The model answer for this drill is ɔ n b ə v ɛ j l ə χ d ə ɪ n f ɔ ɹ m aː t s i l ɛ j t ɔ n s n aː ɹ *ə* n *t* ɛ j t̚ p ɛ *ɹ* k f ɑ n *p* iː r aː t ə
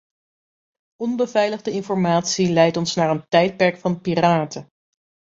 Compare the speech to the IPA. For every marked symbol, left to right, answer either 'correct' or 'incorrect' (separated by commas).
correct, correct, correct, correct